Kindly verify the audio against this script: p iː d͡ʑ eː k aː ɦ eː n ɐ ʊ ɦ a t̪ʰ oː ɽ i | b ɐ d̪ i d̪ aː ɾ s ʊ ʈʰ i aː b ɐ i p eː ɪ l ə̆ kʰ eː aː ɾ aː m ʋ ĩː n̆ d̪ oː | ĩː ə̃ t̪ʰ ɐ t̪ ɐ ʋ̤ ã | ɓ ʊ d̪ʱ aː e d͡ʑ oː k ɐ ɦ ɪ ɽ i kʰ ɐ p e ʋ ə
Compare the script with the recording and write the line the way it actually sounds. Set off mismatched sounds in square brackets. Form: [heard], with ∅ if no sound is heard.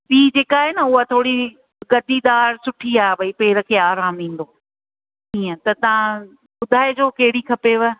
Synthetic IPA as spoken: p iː d͡ʑ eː k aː ɦ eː n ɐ ʊ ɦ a t̪ʰ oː ɽ i | [ɡ] ɐ d̪ i d̪ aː ɾ s ʊ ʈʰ i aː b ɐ i p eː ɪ [ɾ] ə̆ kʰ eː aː ɾ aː m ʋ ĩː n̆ d̪ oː | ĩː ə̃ [t̪] ɐ t̪ ɐ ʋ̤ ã | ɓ ʊ d̪ʱ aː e d͡ʑ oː k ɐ ɦ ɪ ɽ i kʰ ɐ p e ʋ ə